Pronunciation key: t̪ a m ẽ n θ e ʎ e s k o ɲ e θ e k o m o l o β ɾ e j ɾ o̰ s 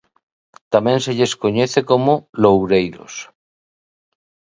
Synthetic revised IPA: t̪ a m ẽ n s e ʎ e s k o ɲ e θ e k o m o l o w ɾ e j ɾ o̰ s